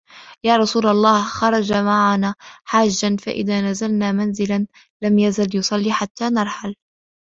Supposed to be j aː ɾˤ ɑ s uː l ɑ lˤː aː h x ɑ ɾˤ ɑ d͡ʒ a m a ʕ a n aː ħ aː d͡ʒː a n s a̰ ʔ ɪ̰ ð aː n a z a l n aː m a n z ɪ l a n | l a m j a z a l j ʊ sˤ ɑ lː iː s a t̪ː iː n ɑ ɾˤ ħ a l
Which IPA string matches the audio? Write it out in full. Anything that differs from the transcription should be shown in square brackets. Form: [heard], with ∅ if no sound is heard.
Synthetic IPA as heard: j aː ɾˤ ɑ s uː l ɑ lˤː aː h x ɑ ɾˤ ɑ d͡ʒ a m a ʕ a n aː ħ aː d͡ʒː a n [f] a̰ ʔ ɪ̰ ð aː n a z a l n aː m a n z ɪ l a n | l a m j a z a l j ʊ sˤ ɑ lː iː [ħ] a t̪ː [aː] n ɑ ɾˤ ħ a l